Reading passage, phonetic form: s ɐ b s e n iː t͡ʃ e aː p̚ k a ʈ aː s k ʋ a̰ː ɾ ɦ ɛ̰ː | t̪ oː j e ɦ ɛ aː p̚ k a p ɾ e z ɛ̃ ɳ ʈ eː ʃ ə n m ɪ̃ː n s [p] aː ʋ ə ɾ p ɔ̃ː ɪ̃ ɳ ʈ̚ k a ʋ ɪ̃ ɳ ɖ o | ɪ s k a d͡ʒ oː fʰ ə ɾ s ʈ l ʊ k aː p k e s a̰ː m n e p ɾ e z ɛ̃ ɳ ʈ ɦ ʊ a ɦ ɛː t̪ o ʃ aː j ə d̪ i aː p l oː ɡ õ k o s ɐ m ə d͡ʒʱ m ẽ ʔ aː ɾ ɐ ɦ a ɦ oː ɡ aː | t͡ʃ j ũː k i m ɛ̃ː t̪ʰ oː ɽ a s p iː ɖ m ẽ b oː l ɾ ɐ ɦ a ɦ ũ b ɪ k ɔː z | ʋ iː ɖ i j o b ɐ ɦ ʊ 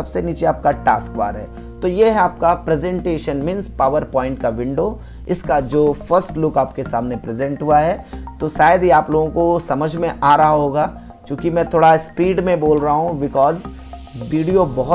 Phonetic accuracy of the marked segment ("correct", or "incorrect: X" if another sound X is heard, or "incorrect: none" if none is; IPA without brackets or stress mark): correct